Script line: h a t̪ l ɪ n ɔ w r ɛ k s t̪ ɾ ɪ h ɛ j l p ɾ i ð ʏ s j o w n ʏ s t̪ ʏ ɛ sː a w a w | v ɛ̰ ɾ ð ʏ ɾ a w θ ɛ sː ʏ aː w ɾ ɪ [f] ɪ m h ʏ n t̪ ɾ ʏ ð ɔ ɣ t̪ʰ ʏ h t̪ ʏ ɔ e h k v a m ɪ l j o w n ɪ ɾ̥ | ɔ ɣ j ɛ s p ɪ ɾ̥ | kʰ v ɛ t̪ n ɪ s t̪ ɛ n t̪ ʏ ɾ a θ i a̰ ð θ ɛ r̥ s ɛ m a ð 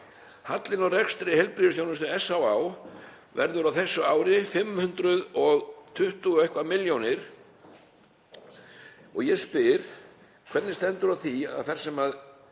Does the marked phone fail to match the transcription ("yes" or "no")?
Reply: no